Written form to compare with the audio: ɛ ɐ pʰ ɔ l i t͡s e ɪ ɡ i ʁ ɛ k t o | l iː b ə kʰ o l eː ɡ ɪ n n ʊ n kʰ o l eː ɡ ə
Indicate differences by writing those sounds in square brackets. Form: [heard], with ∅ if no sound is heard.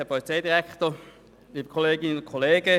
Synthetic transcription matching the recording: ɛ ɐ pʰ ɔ l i t͡s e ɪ [d] i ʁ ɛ k t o | l iː b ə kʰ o l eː ɡ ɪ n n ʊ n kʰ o l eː ɡ ə